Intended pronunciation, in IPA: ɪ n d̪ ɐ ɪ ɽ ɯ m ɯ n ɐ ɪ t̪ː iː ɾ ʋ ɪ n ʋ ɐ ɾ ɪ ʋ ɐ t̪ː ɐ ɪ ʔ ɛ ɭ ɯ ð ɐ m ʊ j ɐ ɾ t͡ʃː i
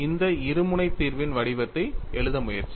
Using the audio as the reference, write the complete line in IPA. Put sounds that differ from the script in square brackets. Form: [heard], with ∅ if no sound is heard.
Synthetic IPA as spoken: ɪ n d̪ ɐ ɪ [ɾ] ɯ m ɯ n ɐ ɪ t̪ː iː ɾ ʋ ɪ n ʋ ɐ [ɽ] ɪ ʋ ɐ t̪ː ɐ ɪ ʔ ɛ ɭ ɯ ð ɐ m ʊ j ɐ ɾ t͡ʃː i

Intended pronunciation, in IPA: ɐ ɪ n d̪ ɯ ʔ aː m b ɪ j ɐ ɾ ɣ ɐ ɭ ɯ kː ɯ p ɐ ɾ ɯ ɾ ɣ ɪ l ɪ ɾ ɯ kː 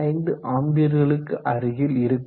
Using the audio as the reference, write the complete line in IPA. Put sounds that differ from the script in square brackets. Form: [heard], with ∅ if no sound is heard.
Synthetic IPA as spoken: ɐ ɪ n d̪ ɯ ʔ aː m b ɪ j ɐ ɾ ɣ ɐ ɭ ɯ kː ɯ [ʔ] ɐ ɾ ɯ [∅] ɣ ɪ l ɪ ɾ ɯ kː

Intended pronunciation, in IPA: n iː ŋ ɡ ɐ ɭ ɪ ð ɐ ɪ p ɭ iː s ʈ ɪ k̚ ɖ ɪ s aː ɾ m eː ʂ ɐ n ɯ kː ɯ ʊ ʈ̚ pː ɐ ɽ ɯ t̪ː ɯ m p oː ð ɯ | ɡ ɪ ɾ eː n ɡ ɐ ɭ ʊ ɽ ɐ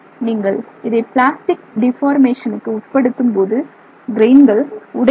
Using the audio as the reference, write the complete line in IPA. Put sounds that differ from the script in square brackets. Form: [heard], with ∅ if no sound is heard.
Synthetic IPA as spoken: n iː ŋ ɡ ɐ ɭ ɪ ð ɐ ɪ p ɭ [aː] s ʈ ɪ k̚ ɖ ɪ [f] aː ɾ m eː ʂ ɐ n ɯ kː ɯ ʊ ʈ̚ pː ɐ ɽ ɯ t̪ː ɯ m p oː ð ɯ | ɡ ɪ ɾ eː n ɡ ɐ ɭ ʊ ɽ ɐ

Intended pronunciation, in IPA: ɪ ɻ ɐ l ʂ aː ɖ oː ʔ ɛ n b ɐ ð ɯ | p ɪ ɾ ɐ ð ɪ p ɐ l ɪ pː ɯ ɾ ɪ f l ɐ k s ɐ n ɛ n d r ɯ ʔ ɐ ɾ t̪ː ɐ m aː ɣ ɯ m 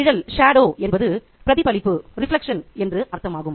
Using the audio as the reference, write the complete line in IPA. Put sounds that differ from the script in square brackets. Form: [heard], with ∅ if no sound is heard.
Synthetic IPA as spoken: ɪ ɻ ɐ l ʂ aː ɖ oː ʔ ɛ n b ɐ ð ɯ | p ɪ ɾ ɐ ð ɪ p ɐ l ɪ pː ɯ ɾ ɪ f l ɐ k [ʂ] ɐ n ɛ n d r ɯ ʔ ɐ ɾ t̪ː ɐ m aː ɣ ɯ m

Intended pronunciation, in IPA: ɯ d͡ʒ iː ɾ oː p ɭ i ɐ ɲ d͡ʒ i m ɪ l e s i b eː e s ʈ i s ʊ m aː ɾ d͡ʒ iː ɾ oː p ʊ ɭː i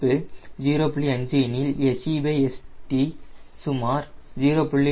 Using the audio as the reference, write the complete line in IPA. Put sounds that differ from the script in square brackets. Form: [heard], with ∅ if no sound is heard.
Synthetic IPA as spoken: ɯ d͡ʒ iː ɾ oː p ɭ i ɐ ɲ d͡ʒ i [n] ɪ l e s i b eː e s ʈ i s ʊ m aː ɾ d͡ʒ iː ɾ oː p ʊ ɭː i

